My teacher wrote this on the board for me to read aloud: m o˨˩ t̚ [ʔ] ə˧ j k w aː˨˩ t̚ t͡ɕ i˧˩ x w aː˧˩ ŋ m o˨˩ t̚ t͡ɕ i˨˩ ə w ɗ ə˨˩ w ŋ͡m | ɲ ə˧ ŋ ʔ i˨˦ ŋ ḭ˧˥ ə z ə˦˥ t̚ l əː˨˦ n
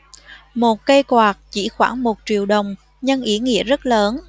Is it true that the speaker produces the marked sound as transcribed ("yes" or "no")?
no